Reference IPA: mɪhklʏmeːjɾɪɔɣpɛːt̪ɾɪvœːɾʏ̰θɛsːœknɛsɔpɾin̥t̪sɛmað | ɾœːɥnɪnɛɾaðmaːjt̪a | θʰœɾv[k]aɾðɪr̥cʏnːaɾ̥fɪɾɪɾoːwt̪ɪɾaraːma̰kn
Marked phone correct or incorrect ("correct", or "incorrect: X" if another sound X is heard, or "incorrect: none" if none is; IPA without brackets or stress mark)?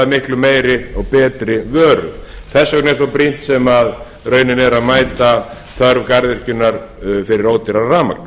correct